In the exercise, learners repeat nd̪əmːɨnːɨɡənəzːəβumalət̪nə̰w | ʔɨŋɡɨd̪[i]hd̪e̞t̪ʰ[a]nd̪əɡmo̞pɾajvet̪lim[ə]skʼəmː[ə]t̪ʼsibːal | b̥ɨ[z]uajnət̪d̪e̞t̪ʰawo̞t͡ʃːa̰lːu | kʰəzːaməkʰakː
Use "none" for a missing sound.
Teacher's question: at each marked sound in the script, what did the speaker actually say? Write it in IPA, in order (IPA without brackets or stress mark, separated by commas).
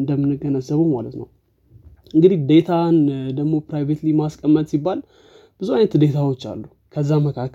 i, a, a, ə, z